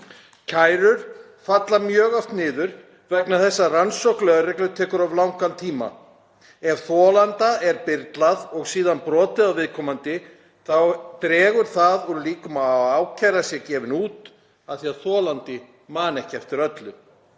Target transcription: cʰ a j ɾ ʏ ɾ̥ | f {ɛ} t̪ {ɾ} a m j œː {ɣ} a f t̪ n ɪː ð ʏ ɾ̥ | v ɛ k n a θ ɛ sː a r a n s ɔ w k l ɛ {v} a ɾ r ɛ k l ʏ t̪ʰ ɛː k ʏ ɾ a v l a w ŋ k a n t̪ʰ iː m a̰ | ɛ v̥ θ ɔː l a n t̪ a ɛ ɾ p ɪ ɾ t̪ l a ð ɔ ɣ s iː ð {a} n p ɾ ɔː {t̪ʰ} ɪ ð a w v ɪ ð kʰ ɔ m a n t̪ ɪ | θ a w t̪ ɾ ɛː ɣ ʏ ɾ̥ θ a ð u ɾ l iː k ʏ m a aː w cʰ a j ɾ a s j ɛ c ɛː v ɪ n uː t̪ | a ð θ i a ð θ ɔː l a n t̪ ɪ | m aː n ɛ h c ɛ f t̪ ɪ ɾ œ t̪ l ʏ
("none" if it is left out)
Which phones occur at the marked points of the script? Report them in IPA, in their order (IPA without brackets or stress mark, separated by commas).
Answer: a, l, ɣ, ɣ, a, t̪